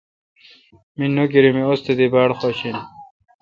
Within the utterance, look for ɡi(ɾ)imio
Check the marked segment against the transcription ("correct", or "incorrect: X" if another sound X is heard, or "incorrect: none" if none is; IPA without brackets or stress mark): correct